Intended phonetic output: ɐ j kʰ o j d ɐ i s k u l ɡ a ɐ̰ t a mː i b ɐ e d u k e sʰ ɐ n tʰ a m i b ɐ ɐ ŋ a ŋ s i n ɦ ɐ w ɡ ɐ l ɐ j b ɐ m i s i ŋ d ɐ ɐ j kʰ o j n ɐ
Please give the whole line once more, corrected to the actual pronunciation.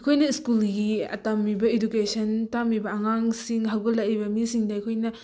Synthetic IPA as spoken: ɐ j kʰ o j n ɐ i s k u l ɡ i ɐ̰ t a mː i b ɐ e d u k e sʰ ɐ n t a m i b ɐ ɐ ŋ a ŋ s i ŋ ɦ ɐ w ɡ ɐ l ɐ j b ɐ m i s i ŋ d ɐ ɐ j kʰ o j n ɐ